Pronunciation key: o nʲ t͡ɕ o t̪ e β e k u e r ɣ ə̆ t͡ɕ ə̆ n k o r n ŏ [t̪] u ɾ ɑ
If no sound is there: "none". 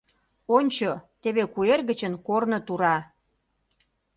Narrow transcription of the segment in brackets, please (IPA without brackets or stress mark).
t̪